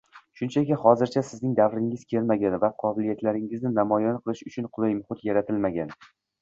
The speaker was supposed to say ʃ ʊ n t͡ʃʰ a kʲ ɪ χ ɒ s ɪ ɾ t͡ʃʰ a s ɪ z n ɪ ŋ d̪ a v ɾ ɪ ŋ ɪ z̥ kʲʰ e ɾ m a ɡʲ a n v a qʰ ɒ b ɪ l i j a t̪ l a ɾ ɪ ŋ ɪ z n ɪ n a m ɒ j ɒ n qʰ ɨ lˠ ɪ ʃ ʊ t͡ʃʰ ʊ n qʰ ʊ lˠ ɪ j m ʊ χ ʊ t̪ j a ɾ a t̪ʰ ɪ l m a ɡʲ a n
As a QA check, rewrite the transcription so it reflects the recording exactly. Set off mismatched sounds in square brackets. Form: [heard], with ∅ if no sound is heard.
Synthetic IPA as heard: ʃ ʊ n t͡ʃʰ a kʲ ɪ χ ɒ [z] ɪ ɾ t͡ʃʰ a s ɪ z n ɪ ŋ d̪ a v ɾ ɪ ŋ ɪ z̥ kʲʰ e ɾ m a ɡʲ a n v a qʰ ɒ b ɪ l i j a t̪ l a ɾ ɪ ŋ ɪ z n ɪ n a m ɒ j ɒ n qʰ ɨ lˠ ɪ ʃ ʊ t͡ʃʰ ʊ n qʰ ʊ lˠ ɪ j m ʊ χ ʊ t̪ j a ɾ a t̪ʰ ɪ l m a ɡʲ a n